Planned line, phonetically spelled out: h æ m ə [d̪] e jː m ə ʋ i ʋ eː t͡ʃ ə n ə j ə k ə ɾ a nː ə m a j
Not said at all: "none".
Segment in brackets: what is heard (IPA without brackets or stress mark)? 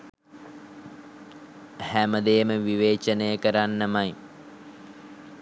d̪